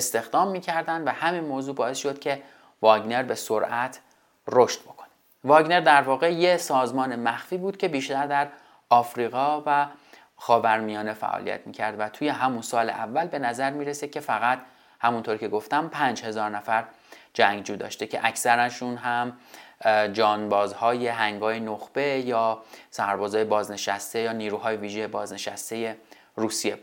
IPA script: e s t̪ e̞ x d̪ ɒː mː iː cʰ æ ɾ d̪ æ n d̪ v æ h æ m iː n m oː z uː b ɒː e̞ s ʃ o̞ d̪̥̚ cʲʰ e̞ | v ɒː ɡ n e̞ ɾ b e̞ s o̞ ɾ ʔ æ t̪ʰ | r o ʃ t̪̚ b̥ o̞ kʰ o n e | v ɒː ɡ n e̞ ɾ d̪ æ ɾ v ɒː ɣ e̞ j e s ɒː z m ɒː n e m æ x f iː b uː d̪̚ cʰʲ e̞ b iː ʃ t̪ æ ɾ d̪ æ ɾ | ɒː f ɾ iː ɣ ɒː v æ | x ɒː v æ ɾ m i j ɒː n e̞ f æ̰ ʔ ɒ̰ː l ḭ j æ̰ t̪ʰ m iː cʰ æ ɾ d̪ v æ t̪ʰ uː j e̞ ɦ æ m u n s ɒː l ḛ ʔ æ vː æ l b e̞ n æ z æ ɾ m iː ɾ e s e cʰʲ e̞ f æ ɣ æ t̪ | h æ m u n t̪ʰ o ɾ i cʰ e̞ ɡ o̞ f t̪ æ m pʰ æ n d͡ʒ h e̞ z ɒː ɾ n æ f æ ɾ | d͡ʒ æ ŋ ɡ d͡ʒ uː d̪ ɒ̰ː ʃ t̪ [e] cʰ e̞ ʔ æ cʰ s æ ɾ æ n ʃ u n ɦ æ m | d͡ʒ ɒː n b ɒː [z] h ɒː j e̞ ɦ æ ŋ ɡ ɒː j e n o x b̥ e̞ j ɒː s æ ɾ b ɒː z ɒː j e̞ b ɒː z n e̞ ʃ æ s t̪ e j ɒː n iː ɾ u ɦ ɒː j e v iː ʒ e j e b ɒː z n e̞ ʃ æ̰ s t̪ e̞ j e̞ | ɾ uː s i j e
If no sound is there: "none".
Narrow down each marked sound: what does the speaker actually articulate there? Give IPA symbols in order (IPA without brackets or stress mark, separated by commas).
e, z